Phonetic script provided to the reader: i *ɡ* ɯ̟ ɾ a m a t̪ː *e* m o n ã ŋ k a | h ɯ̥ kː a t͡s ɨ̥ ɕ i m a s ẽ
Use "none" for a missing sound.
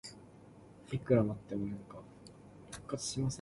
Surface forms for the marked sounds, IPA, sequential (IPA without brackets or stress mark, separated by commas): k, e